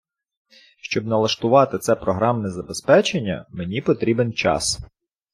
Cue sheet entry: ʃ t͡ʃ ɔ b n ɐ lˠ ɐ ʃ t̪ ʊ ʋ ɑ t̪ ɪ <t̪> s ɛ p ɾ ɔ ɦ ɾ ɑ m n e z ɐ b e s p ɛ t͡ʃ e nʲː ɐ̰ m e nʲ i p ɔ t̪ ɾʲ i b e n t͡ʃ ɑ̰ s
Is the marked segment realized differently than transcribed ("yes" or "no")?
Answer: no